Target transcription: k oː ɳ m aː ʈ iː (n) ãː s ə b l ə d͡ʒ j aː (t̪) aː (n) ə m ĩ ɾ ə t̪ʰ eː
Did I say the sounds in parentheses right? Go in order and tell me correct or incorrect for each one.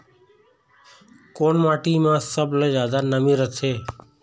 incorrect: m, incorrect: d̪, correct

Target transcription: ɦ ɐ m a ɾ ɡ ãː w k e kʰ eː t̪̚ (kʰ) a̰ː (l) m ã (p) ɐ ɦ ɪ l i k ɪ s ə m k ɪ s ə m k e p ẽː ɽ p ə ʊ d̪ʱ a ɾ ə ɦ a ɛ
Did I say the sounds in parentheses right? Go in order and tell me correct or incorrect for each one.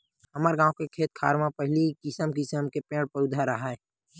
correct, incorrect: ɾ, correct

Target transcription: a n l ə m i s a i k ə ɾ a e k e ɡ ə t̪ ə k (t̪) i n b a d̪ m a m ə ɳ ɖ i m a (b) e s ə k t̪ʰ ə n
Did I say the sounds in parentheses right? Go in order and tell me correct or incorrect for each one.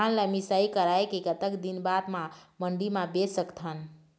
incorrect: d̪, correct

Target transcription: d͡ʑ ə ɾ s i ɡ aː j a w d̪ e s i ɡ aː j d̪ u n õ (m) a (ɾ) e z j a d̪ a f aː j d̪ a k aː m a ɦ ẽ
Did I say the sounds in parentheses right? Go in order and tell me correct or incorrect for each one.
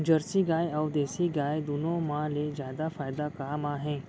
correct, incorrect: l

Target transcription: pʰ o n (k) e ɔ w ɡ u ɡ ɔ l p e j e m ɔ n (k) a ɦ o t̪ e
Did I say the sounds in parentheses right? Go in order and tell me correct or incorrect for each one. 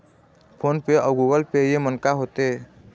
incorrect: p, correct

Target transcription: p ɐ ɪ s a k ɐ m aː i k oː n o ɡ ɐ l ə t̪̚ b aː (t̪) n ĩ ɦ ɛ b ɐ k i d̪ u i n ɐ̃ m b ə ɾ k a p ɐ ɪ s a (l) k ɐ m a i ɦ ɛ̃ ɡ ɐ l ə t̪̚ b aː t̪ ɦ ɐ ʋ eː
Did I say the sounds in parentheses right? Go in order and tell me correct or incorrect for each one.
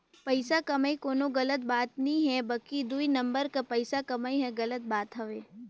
correct, incorrect: none

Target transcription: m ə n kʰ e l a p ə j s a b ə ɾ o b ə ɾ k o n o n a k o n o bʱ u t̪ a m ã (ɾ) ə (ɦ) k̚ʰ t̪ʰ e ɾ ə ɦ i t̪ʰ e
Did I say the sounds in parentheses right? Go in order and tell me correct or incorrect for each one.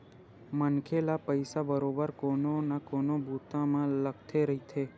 incorrect: l, incorrect: none

